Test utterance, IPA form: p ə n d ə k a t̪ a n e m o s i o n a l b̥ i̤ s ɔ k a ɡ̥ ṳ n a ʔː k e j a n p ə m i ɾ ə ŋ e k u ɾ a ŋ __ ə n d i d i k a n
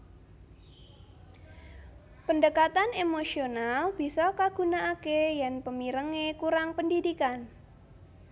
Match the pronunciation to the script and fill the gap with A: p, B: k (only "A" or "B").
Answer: A